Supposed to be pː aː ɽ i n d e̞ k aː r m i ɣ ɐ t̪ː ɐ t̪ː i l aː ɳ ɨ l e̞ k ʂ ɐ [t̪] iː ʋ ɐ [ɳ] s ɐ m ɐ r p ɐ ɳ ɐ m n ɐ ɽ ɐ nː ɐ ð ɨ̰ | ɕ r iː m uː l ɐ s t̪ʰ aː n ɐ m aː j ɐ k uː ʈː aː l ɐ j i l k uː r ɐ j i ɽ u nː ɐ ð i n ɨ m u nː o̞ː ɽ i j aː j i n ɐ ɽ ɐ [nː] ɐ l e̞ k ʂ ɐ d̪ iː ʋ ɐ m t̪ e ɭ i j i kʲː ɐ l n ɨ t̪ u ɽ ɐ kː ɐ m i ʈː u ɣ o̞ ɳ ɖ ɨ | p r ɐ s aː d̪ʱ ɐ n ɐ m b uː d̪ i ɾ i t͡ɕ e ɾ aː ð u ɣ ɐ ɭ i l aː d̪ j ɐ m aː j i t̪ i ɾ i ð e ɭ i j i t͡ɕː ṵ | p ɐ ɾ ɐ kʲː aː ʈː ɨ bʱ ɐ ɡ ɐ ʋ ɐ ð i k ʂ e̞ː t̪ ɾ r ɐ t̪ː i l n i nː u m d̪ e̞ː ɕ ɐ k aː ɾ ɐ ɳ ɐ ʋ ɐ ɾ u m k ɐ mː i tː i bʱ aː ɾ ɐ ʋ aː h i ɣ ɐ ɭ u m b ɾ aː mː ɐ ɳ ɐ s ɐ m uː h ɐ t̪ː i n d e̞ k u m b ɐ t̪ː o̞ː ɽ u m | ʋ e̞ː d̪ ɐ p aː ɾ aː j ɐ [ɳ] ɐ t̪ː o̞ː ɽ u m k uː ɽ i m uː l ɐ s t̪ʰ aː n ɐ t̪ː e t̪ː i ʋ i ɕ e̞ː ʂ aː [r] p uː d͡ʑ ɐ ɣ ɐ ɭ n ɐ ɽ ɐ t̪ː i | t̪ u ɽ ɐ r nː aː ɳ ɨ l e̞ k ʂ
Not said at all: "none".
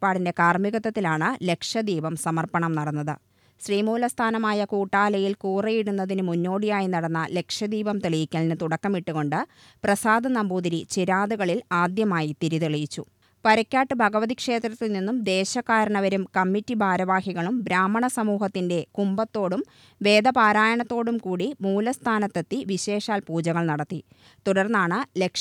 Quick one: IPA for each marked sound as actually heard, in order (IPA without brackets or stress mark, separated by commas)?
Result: d̪, m, nː, ɳ, l